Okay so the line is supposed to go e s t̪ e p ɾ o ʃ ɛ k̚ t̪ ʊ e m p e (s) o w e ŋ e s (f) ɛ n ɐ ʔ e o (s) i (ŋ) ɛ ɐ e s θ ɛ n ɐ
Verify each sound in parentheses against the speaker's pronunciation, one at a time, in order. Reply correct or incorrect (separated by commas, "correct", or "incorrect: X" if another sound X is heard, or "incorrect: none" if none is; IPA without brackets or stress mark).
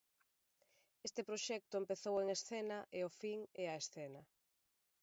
incorrect: θ, incorrect: θ, incorrect: f, correct